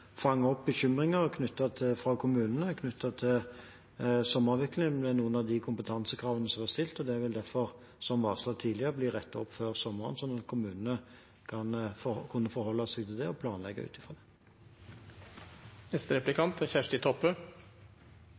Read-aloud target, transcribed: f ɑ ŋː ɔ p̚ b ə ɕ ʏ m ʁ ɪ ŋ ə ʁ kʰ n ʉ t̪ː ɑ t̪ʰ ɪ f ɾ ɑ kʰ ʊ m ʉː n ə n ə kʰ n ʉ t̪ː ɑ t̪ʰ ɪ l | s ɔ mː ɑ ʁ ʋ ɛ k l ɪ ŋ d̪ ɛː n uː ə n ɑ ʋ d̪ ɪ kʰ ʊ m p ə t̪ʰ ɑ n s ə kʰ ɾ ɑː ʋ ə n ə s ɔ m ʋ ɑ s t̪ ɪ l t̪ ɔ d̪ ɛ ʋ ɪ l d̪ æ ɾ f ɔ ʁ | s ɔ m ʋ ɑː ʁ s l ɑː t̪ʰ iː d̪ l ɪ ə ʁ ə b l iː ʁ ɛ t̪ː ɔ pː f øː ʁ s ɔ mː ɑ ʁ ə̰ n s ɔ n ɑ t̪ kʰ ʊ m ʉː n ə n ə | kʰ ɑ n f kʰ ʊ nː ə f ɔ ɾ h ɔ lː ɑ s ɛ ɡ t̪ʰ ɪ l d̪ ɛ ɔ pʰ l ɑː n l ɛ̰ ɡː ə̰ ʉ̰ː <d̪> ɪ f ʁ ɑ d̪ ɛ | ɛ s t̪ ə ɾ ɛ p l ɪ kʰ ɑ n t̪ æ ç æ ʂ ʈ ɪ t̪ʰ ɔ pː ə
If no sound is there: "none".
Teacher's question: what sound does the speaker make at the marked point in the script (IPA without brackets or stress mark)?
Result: t̪